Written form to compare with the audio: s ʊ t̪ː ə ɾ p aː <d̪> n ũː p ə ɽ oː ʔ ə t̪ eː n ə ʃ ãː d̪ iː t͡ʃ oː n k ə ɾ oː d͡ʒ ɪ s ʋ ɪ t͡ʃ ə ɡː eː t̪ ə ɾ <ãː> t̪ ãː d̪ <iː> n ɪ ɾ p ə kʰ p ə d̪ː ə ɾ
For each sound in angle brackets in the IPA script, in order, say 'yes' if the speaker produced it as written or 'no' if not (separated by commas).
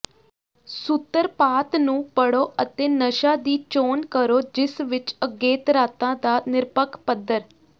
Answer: no, no, no